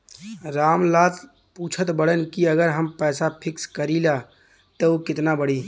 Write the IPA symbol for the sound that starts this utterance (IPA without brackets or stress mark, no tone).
ɾ